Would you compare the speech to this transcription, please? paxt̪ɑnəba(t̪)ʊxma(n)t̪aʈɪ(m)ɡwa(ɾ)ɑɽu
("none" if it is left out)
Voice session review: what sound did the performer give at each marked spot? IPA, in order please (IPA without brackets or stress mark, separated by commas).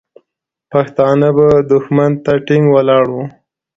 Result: d̪, n, ŋ, l